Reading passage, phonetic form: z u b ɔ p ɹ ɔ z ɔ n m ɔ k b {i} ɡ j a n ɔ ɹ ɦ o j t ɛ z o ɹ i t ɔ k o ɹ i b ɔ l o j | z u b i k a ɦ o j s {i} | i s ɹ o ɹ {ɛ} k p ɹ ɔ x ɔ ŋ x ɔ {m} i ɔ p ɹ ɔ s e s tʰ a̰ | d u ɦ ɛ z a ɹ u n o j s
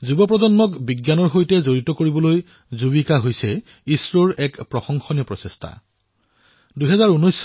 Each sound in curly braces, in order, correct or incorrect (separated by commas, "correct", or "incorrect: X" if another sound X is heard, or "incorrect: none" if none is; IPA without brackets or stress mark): correct, incorrect: ɛ, correct, incorrect: n